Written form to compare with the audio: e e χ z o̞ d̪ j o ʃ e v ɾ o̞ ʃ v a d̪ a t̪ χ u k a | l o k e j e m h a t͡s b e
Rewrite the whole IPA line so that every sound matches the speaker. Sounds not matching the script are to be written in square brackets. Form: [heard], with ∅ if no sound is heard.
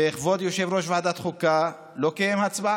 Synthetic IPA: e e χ [v] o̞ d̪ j o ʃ e v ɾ o̞ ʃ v a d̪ a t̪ χ u k a | l o k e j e m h a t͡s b [a]